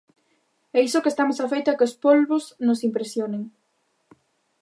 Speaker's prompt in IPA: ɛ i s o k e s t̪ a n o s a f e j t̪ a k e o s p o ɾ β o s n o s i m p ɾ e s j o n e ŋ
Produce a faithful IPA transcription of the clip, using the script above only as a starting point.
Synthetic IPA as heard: ɛ i s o k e s t̪ a m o s a f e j t̪ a k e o s p o l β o s n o s i m p ɾ e s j o n e ŋ